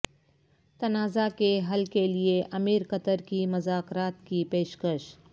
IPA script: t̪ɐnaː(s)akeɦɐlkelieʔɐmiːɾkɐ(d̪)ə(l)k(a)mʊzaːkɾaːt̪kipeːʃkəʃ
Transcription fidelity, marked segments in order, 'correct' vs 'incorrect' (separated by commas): incorrect, incorrect, incorrect, incorrect